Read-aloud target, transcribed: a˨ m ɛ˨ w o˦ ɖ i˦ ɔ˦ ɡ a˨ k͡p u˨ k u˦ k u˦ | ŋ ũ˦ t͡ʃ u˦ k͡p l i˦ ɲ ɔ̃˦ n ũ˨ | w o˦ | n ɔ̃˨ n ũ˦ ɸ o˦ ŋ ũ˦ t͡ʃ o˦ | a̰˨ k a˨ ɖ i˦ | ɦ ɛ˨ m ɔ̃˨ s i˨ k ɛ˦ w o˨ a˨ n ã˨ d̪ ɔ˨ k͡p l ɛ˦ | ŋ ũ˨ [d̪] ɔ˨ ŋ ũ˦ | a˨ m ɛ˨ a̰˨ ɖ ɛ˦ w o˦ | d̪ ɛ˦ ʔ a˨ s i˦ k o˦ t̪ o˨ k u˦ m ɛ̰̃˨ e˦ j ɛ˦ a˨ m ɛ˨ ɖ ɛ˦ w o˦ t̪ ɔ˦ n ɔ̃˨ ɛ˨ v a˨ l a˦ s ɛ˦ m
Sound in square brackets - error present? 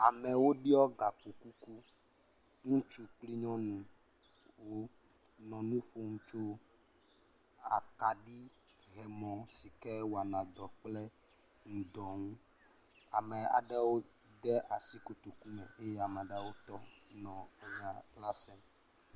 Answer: no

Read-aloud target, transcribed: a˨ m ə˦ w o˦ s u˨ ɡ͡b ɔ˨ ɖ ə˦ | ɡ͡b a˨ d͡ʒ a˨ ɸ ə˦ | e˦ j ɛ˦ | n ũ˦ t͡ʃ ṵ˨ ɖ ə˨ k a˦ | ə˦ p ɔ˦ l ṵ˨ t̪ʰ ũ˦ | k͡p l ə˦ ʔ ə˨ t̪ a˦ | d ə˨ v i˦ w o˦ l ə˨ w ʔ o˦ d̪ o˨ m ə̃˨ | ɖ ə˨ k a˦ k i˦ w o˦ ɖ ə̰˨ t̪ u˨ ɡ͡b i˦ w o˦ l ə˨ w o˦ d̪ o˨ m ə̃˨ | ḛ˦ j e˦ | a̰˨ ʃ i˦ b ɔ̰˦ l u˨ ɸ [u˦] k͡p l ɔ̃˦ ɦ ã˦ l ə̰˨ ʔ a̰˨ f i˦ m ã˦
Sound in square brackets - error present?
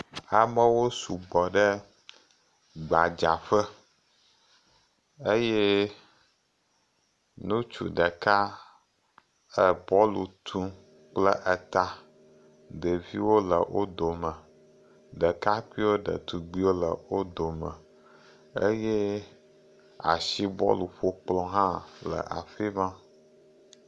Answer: yes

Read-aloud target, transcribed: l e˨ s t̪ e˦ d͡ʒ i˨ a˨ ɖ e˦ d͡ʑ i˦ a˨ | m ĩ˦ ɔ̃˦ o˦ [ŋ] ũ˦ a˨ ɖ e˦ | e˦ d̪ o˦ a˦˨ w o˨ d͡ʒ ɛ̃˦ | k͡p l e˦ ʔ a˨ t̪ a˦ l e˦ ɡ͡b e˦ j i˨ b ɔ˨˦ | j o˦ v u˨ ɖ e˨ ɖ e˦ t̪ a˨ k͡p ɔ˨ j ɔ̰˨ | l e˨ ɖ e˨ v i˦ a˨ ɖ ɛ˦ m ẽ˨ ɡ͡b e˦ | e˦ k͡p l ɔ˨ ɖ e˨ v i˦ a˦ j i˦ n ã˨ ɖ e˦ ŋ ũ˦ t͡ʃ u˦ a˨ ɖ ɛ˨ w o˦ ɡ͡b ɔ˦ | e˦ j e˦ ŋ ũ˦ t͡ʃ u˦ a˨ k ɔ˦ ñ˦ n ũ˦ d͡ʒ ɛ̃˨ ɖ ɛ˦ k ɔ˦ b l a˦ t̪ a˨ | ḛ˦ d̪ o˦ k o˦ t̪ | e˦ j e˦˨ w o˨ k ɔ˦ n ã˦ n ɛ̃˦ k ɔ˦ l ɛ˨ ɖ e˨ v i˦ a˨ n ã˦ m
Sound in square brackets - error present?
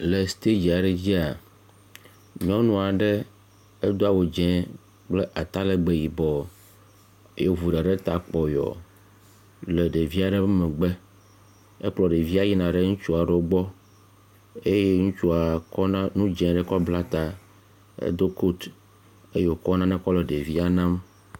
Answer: yes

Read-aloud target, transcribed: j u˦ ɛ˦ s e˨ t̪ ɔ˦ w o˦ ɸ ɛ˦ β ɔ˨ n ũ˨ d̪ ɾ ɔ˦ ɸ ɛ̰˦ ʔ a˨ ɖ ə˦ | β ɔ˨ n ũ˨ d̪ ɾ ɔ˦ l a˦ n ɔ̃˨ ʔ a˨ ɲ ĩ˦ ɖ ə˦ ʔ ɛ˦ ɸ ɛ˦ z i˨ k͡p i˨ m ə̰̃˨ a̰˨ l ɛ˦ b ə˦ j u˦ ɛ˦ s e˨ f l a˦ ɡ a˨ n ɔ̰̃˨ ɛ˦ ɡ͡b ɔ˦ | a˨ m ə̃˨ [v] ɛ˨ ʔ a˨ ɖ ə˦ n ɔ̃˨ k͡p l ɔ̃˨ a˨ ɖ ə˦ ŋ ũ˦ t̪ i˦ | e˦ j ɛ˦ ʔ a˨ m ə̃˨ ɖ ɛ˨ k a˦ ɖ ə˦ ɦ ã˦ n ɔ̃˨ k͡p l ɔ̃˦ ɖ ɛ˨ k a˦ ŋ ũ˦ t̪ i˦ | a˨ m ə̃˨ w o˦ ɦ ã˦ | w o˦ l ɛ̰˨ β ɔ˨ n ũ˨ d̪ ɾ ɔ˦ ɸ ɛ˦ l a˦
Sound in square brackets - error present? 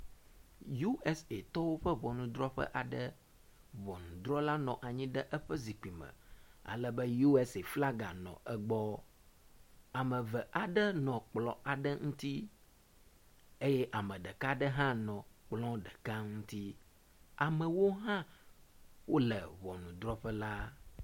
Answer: no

